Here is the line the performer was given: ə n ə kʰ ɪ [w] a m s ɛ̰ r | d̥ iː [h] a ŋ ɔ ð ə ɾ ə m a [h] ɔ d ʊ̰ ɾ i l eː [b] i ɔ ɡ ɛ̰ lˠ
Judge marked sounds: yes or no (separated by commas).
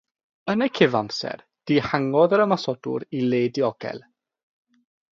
no, yes, no, no